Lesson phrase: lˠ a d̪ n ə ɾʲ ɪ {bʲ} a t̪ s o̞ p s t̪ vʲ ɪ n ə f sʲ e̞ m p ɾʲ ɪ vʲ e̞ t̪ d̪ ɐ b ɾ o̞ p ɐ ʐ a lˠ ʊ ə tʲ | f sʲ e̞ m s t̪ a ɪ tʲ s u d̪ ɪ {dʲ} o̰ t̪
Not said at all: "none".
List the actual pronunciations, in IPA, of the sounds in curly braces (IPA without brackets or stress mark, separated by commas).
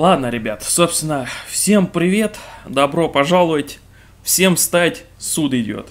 bʲ, dʲ